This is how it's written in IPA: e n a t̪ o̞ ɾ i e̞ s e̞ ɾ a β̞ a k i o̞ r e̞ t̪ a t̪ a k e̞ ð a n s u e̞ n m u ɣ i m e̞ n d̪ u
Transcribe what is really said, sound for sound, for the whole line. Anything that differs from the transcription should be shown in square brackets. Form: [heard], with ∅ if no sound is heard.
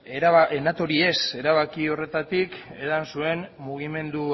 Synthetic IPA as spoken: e n a t̪ o̞ ɾ i e̞ s e̞ ɾ a β̞ a k i o̞ r e̞ t̪ a t̪ [i] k e̞ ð a n s u e̞ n m u ɣ i m e̞ n d̪ u